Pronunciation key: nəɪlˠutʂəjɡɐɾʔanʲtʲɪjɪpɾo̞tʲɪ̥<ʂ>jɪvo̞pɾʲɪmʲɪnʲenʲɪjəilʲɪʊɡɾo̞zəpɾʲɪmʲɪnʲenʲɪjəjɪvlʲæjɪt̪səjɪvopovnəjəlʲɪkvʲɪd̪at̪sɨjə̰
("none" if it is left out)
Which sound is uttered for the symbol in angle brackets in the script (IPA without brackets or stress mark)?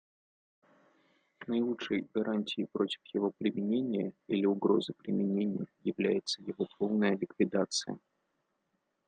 f